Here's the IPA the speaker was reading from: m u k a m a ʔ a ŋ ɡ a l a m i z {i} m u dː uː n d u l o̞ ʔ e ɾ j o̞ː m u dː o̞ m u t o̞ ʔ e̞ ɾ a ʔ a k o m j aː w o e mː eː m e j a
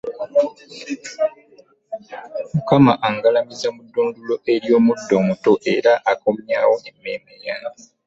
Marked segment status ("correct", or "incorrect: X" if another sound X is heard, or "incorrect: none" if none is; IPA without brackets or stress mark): incorrect: a